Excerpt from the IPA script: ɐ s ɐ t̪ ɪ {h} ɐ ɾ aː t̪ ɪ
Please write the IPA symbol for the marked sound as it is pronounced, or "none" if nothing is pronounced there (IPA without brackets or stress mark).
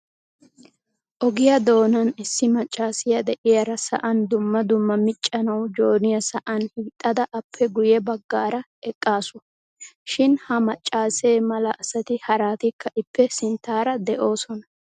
h